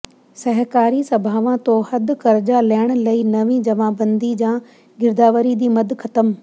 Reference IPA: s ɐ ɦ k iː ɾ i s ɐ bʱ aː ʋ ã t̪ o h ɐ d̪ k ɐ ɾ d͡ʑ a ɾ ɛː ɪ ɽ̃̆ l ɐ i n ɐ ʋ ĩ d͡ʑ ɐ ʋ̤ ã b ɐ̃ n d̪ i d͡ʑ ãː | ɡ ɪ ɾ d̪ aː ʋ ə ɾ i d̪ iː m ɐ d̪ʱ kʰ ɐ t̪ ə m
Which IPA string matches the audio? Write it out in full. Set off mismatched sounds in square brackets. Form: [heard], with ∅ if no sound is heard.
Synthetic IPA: s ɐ ɦ k [aː] ɾ i s ɐ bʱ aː ʋ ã t̪ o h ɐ d̪ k ɐ ɾ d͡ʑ a [l] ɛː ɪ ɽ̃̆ l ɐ i n ɐ ʋ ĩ d͡ʑ ɐ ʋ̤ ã b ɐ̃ n d̪ i d͡ʑ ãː | ɡ ɪ ɾ d̪ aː ʋ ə ɾ i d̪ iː m ɐ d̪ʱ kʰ ɐ t̪ ə m